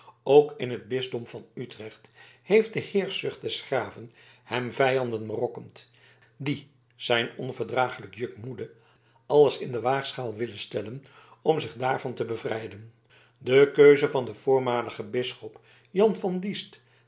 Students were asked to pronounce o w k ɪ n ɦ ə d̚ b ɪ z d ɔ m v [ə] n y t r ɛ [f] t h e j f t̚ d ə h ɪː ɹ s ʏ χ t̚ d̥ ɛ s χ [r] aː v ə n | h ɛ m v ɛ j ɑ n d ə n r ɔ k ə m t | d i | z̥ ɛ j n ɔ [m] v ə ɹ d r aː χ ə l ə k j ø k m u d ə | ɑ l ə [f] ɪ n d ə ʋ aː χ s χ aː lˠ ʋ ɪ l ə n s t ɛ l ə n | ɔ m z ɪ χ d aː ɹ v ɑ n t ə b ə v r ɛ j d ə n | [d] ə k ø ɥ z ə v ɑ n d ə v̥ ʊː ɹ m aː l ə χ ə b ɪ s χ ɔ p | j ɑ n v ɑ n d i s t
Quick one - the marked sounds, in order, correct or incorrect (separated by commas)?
incorrect, incorrect, correct, incorrect, incorrect, correct